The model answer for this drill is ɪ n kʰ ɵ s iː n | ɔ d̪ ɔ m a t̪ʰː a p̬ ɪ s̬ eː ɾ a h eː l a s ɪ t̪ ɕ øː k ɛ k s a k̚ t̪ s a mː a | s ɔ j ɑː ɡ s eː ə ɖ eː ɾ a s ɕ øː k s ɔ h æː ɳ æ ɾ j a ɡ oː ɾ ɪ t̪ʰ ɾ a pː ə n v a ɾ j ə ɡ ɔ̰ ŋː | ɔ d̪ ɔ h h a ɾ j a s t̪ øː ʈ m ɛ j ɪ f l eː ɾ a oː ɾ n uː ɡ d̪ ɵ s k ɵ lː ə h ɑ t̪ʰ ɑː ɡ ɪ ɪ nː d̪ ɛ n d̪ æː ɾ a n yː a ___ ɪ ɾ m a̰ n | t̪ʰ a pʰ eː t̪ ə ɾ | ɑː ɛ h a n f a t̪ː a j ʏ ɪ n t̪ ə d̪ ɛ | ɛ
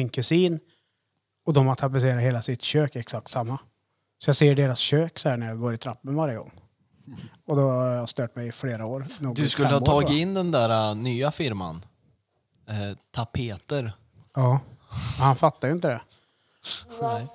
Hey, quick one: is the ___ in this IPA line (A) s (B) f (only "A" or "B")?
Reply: B